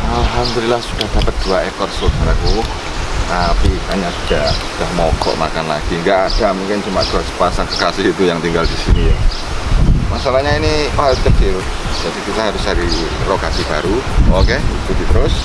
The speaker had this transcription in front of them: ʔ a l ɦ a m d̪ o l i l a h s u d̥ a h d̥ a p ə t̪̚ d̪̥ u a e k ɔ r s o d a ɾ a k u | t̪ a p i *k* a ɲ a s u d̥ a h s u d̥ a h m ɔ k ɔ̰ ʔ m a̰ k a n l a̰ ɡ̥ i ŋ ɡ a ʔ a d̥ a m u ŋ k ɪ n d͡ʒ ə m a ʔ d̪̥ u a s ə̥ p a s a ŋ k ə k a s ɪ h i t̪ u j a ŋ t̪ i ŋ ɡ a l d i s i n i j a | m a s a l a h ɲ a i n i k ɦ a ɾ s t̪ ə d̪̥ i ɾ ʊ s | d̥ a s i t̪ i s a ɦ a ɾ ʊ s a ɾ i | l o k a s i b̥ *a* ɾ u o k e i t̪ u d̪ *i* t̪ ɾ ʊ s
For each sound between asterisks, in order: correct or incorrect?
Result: correct, correct, correct

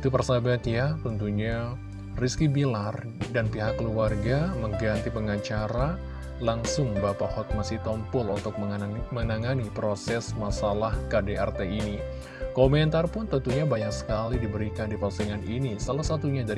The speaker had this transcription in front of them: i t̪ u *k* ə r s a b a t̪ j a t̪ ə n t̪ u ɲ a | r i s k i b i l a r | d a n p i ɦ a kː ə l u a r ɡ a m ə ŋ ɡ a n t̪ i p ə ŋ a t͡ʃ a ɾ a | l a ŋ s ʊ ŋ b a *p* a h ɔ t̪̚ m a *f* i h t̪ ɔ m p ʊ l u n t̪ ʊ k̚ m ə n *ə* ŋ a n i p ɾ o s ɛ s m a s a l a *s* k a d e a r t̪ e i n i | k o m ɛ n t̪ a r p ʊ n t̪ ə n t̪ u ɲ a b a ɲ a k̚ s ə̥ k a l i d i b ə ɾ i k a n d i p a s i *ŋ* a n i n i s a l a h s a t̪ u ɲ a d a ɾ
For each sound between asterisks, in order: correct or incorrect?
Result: incorrect, correct, incorrect, incorrect, incorrect, correct

